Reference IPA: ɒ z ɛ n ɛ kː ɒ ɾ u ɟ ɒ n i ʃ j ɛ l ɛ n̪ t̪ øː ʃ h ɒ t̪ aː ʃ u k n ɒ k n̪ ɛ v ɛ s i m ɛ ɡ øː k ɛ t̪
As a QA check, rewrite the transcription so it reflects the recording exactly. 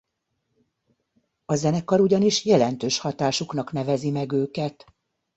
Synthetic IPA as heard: ɒ z ɛ n ɛ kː ɒ ɾ u ɟ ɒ n i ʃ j ɛ l ɛ n̪ t̪ øː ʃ h ɒ t̪ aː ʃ u k n ɒ k n̪ ɛ v ɛ z i m ɛ ɡ øː k ɛ t̪